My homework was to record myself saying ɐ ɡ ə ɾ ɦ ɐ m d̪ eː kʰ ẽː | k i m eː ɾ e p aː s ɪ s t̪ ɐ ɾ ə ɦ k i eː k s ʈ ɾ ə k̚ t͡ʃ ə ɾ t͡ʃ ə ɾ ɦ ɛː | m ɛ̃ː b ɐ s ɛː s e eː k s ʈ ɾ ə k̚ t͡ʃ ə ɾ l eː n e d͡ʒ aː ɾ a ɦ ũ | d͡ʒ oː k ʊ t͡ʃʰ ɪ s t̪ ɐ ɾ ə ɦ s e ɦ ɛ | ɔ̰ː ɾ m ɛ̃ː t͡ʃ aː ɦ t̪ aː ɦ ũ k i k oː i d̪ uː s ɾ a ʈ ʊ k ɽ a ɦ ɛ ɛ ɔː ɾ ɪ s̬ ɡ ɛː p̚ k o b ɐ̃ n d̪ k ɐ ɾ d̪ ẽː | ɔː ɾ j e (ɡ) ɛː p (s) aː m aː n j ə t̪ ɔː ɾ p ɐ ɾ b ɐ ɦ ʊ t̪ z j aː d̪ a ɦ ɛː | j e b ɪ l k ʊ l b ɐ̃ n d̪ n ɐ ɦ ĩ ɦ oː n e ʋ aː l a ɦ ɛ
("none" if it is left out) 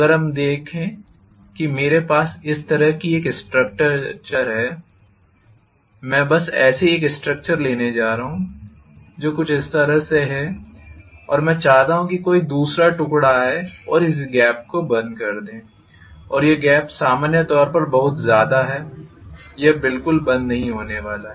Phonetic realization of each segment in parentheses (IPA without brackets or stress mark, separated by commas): ɡ, s